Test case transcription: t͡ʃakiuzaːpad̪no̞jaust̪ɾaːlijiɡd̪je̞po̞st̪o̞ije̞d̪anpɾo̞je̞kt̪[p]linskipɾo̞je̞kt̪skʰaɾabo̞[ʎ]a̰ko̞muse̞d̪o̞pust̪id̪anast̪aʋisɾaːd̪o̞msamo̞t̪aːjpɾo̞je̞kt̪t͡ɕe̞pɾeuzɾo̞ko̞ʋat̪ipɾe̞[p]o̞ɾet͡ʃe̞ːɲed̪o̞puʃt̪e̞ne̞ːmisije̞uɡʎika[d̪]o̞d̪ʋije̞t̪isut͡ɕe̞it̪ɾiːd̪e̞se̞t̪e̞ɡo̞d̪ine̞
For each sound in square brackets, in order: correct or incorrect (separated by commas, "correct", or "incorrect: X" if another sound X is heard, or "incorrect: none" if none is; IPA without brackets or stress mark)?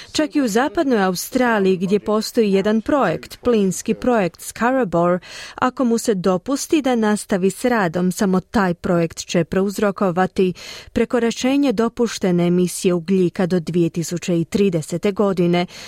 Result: correct, incorrect: ɾ, incorrect: k, correct